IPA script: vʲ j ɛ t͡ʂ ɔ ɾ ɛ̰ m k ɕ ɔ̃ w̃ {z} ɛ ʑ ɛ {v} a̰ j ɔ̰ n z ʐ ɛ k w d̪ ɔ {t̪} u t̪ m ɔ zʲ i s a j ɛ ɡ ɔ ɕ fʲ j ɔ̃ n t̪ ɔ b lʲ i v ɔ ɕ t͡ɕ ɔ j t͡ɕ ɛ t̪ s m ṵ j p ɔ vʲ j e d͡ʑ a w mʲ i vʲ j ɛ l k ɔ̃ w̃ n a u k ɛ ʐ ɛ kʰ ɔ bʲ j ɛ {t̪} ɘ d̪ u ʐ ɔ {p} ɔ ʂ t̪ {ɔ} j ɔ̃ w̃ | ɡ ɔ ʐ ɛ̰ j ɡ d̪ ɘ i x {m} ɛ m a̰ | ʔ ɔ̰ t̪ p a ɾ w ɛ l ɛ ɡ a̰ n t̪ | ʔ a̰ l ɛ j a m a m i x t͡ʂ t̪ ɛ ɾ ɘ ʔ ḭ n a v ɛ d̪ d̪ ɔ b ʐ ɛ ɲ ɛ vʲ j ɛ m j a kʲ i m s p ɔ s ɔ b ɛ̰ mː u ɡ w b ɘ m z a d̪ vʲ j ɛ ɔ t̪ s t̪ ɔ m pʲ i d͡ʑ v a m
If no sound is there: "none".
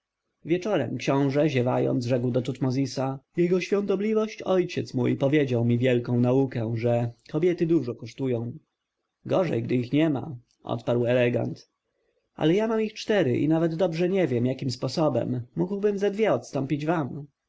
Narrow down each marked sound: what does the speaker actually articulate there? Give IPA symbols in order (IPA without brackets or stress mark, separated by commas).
ʐ, v, t̪, t̪, k, u, ɲ